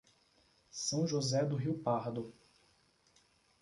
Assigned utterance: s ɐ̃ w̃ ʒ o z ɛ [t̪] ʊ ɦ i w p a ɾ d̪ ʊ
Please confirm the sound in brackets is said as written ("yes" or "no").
no